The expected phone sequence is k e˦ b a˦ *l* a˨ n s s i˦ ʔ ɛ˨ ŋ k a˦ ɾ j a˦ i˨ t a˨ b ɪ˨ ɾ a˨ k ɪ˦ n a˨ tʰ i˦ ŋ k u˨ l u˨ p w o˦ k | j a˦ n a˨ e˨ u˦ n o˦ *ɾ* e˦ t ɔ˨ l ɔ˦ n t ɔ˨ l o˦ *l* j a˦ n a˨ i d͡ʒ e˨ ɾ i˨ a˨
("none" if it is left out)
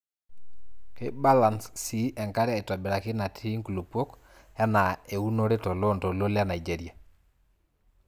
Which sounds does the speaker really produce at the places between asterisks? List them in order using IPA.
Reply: l, ɾ, l

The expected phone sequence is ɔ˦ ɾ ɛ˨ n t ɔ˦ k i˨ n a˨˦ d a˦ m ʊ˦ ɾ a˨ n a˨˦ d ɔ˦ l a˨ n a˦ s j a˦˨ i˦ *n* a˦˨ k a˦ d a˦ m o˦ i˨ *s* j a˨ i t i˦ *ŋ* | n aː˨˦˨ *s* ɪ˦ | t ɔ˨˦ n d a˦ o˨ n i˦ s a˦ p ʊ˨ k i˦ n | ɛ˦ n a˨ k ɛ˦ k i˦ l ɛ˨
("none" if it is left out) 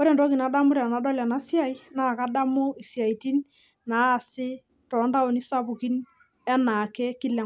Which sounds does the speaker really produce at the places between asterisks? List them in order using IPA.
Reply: n, s, n, s

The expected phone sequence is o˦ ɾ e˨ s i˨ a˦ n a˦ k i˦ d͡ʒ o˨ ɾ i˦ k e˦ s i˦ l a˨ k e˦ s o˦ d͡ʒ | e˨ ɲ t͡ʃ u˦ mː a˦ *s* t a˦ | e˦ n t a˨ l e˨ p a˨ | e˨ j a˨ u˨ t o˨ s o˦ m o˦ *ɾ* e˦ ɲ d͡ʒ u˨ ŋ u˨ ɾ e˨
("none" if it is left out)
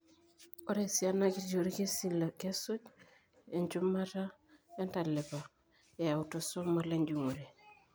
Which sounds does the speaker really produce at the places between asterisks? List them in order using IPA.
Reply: none, l

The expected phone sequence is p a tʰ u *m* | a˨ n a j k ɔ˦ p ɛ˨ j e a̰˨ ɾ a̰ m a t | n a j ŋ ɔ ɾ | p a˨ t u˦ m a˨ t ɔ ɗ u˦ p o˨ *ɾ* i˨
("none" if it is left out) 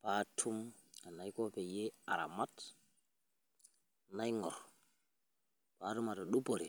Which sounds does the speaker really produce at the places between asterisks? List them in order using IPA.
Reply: m, ɾ

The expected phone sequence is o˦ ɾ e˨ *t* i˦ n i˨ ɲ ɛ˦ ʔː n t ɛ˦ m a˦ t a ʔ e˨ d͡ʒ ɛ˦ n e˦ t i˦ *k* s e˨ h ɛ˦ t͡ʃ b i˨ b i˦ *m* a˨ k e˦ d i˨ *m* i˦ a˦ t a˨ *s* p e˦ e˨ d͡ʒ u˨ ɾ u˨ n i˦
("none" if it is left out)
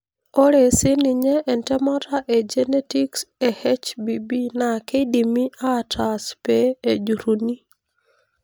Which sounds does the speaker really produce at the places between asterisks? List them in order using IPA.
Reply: s, k, n, m, s

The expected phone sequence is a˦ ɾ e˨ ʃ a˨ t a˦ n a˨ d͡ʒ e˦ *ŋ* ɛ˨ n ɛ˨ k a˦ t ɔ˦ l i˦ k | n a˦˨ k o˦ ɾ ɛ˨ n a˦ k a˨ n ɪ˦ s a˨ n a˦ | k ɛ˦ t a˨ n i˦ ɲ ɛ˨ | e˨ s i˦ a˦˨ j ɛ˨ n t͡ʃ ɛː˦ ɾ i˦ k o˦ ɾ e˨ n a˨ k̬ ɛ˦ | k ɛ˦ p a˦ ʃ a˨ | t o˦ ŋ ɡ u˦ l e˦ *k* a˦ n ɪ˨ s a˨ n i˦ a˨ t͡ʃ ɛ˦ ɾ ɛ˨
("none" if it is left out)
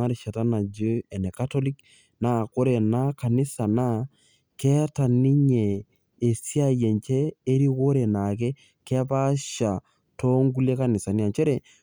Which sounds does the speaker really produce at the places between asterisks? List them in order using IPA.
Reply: none, k

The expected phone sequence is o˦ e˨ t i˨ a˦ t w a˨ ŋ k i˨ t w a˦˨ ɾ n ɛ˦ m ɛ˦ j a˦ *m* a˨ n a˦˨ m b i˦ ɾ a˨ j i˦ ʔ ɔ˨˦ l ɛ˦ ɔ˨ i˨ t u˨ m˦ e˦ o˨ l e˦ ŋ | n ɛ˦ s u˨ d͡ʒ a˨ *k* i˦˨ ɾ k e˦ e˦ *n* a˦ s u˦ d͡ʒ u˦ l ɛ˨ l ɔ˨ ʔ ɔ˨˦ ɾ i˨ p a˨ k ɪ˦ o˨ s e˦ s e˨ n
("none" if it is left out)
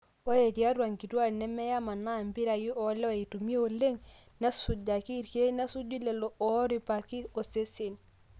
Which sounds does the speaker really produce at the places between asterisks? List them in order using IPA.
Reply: m, k, n

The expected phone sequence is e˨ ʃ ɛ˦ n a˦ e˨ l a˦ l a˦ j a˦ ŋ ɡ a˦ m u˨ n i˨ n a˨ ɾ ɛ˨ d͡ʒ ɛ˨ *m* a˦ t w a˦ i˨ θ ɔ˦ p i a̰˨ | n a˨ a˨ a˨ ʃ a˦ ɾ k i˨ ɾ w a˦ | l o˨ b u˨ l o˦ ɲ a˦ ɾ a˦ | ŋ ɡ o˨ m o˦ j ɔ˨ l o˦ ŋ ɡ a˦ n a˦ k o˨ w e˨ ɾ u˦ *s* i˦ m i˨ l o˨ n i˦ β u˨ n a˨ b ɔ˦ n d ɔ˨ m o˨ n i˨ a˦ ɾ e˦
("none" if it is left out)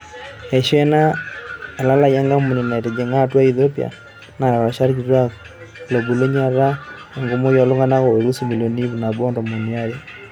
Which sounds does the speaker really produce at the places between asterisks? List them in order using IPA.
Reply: ŋ, s

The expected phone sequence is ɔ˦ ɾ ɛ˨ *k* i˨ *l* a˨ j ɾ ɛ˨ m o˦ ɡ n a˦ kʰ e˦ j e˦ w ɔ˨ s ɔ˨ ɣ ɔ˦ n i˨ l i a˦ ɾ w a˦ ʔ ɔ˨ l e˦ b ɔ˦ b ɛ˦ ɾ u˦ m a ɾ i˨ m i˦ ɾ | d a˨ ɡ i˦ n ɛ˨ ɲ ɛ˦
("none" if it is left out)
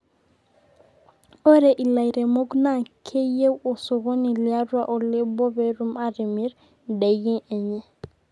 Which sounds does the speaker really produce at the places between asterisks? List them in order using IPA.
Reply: ʔ, l

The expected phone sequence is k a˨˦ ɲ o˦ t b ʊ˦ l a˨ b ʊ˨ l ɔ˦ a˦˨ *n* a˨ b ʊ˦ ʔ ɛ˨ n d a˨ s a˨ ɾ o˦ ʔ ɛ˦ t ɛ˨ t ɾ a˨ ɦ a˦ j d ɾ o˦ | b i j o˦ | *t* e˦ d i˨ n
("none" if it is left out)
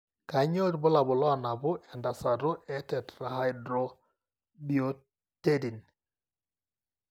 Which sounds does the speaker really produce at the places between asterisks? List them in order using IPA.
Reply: n, t

